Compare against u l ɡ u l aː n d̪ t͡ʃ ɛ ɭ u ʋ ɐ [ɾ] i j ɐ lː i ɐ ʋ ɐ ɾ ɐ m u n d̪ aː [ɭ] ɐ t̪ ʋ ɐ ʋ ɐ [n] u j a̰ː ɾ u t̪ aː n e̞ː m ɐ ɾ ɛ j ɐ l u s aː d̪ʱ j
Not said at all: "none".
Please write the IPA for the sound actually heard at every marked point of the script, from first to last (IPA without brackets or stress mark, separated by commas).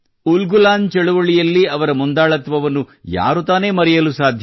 ɭ, ɭ, nː